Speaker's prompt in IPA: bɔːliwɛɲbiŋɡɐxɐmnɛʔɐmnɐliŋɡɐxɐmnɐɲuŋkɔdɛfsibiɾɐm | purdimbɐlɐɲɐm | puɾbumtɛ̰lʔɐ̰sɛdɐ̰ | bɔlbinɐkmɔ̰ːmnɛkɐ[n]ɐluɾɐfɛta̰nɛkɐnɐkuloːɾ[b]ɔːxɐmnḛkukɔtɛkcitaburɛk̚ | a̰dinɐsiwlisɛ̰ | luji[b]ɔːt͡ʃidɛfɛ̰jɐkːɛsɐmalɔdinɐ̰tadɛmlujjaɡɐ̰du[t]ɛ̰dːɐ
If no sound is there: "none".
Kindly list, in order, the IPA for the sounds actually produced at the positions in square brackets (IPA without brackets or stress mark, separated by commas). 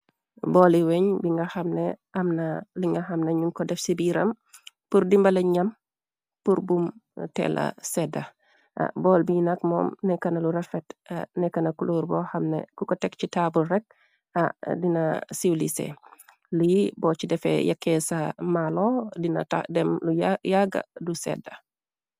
n, b, b, s